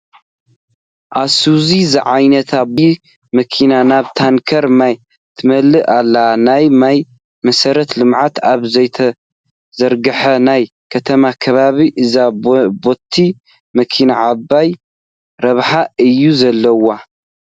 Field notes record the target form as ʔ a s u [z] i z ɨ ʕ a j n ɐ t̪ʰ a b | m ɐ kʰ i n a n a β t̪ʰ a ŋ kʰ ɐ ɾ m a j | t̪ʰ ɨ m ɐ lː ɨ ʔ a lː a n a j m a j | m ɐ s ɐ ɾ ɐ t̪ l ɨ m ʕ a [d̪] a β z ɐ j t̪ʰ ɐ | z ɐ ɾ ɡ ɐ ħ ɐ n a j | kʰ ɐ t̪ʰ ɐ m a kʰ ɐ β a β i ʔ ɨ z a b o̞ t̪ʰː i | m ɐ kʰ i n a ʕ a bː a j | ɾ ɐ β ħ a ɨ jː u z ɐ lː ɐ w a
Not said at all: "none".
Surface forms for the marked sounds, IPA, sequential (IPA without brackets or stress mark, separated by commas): z, t̪